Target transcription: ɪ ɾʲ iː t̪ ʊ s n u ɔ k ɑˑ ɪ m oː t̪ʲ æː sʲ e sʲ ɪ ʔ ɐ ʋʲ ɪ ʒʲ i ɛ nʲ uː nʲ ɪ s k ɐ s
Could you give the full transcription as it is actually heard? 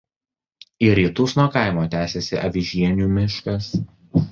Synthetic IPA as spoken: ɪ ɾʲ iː t̪ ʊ s n u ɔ k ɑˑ ɪ m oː t̪ʲ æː sʲ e sʲ ɪ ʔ ɐ ʋʲ ɪ ʒʲ i ɛ nʲ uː mʲ ɪ ʃ k ɐ s